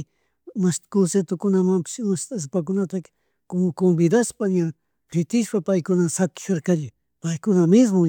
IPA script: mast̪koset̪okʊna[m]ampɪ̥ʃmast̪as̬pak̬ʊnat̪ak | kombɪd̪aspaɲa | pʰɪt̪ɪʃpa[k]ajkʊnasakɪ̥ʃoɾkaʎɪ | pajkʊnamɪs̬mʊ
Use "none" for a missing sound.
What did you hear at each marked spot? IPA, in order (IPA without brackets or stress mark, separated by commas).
m, p